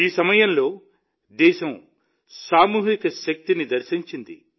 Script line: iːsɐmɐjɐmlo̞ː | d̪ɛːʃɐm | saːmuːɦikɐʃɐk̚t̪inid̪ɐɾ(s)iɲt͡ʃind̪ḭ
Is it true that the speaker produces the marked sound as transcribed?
no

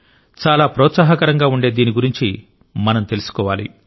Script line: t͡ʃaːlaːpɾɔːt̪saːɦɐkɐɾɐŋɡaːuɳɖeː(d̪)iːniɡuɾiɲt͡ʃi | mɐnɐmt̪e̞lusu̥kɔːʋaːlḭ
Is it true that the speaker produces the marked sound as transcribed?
yes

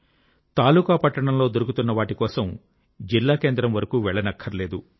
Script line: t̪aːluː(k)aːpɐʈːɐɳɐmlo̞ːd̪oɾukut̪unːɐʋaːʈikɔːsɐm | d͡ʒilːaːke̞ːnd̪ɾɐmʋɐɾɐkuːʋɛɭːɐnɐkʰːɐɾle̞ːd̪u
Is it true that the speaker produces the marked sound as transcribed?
yes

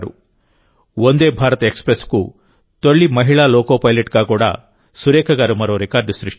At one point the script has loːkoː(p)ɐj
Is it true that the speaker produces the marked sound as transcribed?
yes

